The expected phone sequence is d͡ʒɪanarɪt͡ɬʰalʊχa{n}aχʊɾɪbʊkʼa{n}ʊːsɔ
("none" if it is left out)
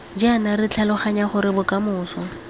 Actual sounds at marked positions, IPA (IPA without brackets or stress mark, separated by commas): ɲ, m